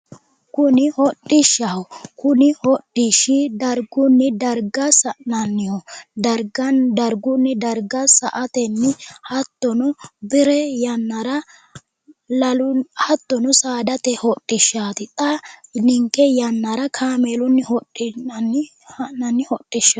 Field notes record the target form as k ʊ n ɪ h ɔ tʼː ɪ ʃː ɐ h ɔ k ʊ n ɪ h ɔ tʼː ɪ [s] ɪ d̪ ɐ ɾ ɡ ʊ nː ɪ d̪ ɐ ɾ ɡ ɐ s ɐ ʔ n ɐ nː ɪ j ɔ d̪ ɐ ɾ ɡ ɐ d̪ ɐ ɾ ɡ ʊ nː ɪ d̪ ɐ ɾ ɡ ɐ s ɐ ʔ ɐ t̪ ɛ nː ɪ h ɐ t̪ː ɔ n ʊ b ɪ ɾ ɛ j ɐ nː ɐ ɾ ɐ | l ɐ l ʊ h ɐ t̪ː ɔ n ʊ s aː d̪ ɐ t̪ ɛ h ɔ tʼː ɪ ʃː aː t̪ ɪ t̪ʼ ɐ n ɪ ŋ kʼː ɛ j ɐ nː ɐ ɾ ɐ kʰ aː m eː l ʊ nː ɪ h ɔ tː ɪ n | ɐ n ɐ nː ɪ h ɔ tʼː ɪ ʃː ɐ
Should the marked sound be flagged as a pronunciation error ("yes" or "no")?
yes